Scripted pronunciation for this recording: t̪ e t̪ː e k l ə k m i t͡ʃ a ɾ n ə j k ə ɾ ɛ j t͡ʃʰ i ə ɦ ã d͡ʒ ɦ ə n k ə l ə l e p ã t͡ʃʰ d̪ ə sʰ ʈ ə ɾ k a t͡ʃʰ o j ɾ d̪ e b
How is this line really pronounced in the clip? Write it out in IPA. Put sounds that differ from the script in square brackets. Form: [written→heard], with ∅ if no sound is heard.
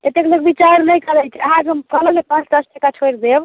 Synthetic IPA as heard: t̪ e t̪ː e k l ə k [m→b] i t͡ʃ a ɾ n ə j k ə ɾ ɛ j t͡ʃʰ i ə ɦ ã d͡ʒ ɦ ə [n→m] k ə l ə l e p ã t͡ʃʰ d̪ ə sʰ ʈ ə [ɾ→∅] k a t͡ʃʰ o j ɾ d̪ e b